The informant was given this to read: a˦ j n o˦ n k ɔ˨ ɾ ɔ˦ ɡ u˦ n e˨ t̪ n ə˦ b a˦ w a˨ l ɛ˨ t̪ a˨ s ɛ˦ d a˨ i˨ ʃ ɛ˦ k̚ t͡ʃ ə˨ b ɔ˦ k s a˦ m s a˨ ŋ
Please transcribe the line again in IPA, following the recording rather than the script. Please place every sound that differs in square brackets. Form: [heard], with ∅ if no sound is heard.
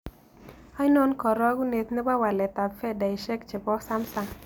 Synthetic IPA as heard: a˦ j n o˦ n k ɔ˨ ɾ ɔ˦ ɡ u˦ n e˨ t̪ n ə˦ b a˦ w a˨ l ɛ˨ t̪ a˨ [f] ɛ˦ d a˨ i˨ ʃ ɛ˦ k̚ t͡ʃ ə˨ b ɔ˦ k s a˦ m s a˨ ŋ